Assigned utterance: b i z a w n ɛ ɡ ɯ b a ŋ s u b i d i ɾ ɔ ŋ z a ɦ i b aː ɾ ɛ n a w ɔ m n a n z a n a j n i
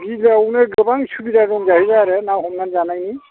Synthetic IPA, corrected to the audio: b i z a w n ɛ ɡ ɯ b a ŋ s u b i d a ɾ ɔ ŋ z a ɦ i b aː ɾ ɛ n a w ɔ m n a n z a n a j n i